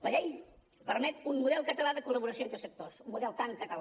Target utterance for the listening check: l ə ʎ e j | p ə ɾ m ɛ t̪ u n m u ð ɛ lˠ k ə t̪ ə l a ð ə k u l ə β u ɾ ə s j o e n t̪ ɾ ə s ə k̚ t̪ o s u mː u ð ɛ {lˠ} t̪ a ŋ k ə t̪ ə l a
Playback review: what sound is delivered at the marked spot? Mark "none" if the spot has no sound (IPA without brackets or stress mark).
lˠ